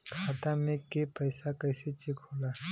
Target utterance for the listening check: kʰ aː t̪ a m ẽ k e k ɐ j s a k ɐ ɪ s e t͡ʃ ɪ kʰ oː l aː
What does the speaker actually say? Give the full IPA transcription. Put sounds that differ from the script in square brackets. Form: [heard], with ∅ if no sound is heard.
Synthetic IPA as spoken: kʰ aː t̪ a m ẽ k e [p] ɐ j s a k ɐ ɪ s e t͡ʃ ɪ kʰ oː l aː